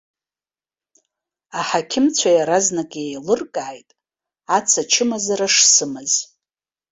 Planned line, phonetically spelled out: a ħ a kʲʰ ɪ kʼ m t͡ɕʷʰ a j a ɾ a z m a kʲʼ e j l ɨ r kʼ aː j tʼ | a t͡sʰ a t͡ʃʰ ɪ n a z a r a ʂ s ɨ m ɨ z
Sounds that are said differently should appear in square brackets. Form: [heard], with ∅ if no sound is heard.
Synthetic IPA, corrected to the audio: a ħ a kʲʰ ɪ [∅] m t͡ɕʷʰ a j a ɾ a z [n] a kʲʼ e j l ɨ r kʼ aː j tʼ | a t͡sʰ a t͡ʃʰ ɪ [m] a z a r a ʂ s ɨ m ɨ z

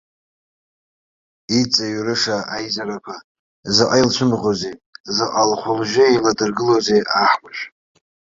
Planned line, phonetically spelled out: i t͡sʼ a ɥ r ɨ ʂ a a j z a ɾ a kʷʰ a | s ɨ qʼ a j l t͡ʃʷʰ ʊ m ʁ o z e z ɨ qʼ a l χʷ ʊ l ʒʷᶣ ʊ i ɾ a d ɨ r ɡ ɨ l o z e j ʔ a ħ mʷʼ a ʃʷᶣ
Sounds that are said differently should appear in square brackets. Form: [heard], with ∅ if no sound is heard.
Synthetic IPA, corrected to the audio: i t͡sʼ a ɥ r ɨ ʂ a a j z a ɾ a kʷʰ a | [z] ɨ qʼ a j l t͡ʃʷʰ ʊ m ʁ o z e z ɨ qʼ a l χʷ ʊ l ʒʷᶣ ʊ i [l] a d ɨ r ɡ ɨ l o z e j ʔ a ħ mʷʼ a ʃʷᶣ

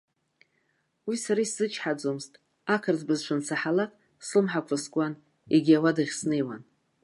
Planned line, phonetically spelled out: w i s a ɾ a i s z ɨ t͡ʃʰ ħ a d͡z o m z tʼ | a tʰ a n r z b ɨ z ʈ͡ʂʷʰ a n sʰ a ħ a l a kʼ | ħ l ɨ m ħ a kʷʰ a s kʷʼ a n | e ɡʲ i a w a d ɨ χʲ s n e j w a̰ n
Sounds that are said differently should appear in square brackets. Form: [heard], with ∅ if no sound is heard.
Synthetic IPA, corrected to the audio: w i s a ɾ a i s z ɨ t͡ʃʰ ħ a d͡z o m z tʼ | a [kʰ] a [∅] r z b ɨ z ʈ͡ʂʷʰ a n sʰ a ħ a l a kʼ | [s] l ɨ m ħ a kʷʰ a s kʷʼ a n | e ɡʲ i a w a d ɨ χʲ s n e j w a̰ n

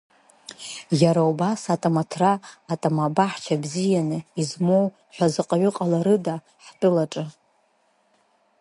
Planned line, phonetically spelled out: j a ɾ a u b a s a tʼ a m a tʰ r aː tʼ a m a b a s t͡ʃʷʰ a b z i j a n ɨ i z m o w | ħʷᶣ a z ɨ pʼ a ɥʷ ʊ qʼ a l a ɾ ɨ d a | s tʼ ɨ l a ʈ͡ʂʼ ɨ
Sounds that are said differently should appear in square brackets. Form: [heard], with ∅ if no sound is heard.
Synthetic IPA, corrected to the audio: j a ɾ a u b a s a tʼ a m a tʰ r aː tʼ a m a b a [ħ] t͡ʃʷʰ a b z i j a n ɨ i z m o w | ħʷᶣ a z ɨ [qʼ] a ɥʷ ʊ qʼ a l a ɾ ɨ d a | [ħ] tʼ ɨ l a ʈ͡ʂʼ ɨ

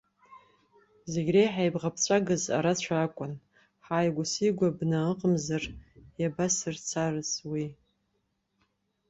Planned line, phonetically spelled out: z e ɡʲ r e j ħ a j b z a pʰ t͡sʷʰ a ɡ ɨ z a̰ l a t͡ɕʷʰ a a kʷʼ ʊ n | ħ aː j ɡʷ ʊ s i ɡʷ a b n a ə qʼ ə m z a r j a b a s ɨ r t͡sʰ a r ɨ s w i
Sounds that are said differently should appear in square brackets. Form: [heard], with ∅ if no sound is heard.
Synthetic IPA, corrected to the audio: z e ɡʲ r e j ħ a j b [ʁ] a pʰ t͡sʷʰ a ɡ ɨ z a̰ [ɾ] a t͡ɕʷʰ a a kʷʼ ʊ n | ħ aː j ɡʷ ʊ s i ɡʷ a b n a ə qʼ ə m z a r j a b a s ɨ r t͡sʰ a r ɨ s w i

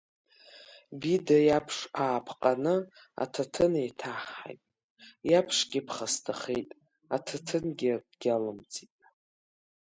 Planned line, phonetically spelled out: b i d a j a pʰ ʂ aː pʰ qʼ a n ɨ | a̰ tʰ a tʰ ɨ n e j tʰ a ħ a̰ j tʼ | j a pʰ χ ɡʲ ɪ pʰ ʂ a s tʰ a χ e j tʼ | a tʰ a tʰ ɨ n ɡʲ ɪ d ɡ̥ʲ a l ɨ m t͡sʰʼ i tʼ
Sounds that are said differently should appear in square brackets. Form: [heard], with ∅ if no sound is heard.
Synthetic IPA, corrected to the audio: b i d a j a pʰ ʂ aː pʰ qʼ a n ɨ | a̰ tʰ a tʰ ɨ n e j tʰ a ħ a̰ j tʼ | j a pʰ [ʂ] ɡʲ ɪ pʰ [χ] a s tʰ a χ e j tʼ | a tʰ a tʰ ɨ n ɡʲ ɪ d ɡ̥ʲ a l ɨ m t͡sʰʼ i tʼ

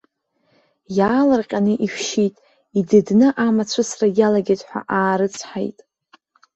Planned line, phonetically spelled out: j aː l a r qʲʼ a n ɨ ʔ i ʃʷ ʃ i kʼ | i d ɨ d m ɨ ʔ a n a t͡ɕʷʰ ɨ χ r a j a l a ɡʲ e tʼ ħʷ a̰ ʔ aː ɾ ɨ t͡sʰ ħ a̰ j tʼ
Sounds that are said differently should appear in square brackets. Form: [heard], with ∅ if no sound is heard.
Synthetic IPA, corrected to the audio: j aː l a r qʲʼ a n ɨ ʔ i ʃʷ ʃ i [tʼ] | i d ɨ d [n] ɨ ʔ a [m] a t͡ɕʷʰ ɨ [s] r a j a l a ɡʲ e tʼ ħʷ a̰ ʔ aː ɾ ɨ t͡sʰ ħ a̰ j tʼ

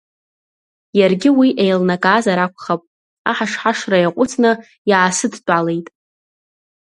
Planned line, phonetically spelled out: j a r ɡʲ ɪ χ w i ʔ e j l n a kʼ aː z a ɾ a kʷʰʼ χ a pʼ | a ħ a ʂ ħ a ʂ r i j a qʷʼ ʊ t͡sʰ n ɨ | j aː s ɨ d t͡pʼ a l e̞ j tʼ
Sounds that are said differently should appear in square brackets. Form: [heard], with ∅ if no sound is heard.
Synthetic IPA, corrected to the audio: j a r ɡʲ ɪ [∅] w i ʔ e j l n a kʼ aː z a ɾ a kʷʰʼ χ a pʼ | a ħ a ʂ ħ a ʂ r [a] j a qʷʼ ʊ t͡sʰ n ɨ | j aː s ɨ d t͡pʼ a l e̞ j tʼ

